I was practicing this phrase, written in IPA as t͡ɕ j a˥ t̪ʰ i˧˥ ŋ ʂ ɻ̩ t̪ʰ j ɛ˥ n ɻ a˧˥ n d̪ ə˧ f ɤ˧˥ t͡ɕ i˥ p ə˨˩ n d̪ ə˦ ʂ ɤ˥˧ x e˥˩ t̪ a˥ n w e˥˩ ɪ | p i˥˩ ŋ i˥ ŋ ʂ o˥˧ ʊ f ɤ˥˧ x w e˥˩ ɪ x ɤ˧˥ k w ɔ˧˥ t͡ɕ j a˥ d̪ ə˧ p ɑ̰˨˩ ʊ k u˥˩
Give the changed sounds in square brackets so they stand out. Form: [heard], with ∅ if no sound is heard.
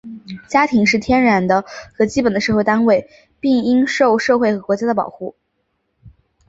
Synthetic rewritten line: t͡ɕ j a˥ t̪ʰ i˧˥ ŋ ʂ ɻ̩ t̪ʰ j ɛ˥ n ɻ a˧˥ n d̪ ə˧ [x] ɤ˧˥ t͡ɕ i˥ p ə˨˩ n d̪ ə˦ ʂ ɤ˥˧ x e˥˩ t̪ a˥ n w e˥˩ ɪ | p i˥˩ ŋ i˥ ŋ ʂ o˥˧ ʊ [ʂ] ɤ˥˧ x w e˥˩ ɪ x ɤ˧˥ k w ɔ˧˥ t͡ɕ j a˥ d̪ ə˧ p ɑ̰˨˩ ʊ [x] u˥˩